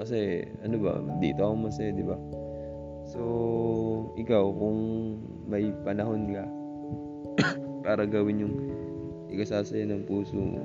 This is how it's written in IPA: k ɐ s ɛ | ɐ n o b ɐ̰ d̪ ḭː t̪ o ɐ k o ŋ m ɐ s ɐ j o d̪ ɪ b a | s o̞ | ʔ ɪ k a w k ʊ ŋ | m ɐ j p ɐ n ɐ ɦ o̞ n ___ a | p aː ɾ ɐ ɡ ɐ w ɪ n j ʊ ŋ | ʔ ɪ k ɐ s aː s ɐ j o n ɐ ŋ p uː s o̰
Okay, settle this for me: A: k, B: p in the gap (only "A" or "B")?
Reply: A